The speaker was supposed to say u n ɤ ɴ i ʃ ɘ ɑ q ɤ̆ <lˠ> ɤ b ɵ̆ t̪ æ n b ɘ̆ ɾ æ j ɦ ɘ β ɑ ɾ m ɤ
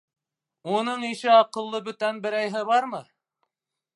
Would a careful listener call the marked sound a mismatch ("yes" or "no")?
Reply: yes